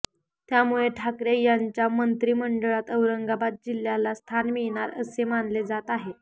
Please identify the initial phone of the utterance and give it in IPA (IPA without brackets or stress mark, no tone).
t̪